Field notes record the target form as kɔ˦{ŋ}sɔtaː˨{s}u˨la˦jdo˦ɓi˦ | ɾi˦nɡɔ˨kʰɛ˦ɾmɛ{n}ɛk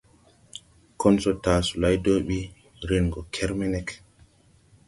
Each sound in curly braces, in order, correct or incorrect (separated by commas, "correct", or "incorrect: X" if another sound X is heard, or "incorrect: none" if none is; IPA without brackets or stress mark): incorrect: n, correct, correct